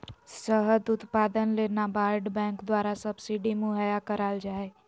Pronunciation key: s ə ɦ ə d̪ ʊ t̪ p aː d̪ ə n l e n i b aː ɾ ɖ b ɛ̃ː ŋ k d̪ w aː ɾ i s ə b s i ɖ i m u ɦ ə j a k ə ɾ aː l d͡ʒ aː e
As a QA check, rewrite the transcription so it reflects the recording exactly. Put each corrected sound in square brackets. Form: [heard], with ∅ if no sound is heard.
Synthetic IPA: s ə ɦ ə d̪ ʊ t̪ p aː d̪ ə n l e n [a] b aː ɾ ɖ b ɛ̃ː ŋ k d̪ w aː ɾ [a] s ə b s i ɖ i m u ɦ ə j a k ə ɾ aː l d͡ʒ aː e